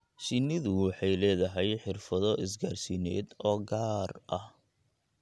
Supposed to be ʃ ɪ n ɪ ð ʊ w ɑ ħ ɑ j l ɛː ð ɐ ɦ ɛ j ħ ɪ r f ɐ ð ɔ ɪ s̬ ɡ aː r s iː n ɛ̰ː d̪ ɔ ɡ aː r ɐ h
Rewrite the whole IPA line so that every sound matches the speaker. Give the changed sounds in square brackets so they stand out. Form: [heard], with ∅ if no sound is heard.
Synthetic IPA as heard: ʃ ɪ n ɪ ð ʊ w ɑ ħ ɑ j l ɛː ð ɐ ɦ ɛ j ħ ɪ r f ɐ ð ɔ ɪ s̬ ɡ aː r s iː n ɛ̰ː d̪ [ɔː] ɡ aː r ɐ h